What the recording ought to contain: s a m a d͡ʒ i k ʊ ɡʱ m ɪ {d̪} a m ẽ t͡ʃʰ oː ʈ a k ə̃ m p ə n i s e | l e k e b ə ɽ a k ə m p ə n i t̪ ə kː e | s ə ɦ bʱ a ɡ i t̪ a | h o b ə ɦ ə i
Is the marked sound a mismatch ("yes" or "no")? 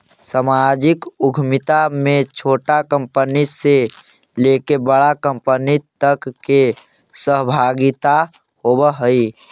yes